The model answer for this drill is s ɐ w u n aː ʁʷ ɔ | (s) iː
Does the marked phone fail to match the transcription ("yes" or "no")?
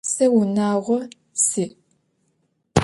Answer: no